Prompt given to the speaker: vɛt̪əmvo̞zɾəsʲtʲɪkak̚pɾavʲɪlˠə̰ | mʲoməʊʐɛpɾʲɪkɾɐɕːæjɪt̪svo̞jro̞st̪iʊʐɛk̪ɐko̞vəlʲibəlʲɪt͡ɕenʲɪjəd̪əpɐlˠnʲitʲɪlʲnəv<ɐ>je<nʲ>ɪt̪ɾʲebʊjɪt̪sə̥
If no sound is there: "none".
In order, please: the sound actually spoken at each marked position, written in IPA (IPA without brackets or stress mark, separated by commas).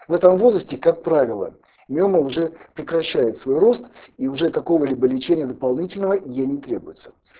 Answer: ə, nʲ